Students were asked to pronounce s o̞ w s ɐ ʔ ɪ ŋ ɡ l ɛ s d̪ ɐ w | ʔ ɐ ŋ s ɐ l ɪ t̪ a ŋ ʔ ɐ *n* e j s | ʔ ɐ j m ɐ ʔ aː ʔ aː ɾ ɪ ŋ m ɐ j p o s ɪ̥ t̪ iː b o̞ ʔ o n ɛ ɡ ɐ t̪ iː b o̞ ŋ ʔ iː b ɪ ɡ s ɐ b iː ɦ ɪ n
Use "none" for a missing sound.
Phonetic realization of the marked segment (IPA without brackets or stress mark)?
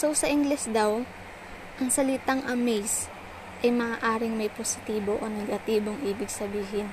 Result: m